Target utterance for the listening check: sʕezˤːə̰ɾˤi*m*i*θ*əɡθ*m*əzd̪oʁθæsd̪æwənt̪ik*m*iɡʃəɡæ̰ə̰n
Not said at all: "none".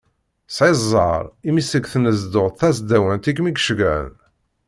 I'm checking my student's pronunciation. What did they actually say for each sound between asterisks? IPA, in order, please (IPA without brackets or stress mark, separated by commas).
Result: m, s, n, m